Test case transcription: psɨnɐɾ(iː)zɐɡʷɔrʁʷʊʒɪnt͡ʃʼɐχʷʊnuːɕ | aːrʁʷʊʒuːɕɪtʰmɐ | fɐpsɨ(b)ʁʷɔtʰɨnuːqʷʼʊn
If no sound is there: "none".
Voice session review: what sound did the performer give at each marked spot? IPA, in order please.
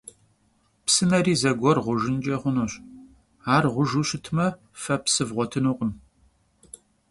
iː, v

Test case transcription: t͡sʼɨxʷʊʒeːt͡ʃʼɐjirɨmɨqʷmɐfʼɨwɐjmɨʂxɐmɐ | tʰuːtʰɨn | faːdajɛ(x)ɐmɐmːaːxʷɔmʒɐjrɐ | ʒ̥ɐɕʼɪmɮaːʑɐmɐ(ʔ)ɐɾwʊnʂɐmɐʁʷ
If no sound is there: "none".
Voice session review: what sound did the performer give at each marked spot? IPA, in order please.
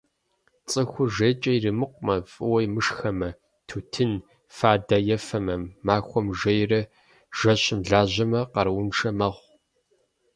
f, q

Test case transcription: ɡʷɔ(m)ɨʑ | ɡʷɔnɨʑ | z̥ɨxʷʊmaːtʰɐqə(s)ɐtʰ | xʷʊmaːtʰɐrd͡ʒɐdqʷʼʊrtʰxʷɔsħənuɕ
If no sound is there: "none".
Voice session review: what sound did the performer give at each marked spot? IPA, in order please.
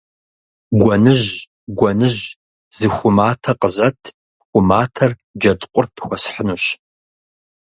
n, z

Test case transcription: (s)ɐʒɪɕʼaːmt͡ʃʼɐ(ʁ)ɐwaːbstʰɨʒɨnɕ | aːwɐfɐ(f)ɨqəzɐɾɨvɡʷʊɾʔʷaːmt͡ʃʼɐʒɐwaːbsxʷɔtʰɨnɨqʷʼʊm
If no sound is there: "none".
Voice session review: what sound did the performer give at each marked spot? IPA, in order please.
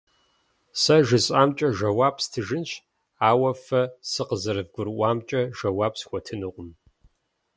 s, ʒ, s

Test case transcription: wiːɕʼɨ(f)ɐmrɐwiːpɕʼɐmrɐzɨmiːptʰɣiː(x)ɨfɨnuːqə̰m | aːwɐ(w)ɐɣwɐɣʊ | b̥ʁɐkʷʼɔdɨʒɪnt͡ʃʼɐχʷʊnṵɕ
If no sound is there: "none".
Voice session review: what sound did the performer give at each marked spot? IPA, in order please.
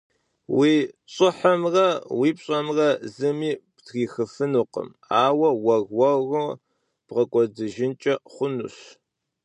ħ, x, w

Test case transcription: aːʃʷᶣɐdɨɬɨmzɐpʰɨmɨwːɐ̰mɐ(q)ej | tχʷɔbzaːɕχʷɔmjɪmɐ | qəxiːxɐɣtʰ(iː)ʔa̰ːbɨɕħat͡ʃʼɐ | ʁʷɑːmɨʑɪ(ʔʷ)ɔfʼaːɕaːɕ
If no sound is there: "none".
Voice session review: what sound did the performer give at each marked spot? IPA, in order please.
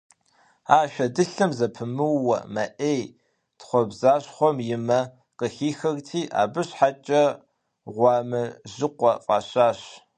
ʔ, iː, qʷ

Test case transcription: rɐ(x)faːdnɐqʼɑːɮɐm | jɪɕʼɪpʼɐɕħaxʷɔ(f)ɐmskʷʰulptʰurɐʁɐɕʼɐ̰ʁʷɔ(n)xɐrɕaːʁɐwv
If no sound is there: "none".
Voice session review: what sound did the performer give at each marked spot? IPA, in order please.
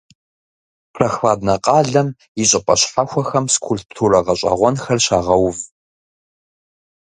x, x, n

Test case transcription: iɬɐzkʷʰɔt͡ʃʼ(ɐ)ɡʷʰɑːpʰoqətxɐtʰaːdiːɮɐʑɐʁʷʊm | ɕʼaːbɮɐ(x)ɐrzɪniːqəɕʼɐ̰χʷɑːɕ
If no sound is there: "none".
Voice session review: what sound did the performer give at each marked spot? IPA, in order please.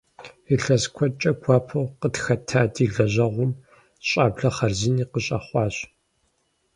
ɐ, χ

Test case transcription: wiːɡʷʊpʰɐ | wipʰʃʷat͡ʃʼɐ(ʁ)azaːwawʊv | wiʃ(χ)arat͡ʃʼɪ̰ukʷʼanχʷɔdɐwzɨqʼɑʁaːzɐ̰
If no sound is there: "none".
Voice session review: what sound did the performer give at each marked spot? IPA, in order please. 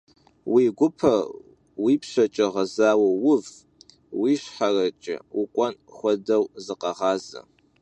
ʁ, ħ

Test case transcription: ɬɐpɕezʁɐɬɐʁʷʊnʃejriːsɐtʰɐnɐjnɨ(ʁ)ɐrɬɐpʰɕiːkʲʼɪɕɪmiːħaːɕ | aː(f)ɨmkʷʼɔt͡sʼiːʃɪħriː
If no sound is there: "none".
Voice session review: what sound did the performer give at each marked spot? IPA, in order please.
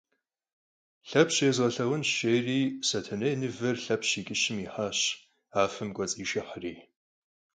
v, f

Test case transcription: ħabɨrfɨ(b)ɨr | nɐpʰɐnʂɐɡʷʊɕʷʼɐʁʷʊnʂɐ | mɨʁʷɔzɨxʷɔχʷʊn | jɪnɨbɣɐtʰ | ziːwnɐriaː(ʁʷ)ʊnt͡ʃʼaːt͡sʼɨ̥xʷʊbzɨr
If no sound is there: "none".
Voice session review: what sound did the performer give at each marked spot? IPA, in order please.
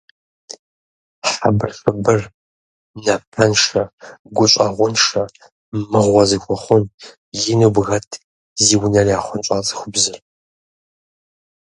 b, χʷ

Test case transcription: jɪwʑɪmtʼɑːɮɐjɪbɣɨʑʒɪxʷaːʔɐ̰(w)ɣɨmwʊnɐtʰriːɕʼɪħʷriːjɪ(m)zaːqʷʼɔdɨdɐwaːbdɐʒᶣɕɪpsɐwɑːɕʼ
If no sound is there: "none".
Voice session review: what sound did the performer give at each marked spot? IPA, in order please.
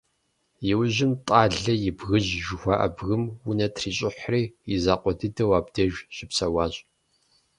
b, none

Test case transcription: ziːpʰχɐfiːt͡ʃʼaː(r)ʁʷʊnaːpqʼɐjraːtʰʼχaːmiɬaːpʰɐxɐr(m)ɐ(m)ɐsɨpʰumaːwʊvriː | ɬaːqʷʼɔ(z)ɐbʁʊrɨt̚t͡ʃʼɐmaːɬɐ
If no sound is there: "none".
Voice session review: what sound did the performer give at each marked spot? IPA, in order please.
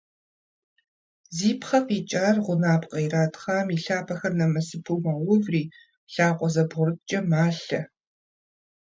r, n, m, z

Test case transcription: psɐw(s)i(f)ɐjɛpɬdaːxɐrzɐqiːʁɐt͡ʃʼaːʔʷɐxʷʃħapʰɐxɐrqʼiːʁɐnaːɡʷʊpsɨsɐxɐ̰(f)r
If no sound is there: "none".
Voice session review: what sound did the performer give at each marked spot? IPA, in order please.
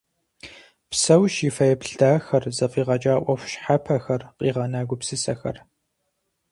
ʃ, f, none

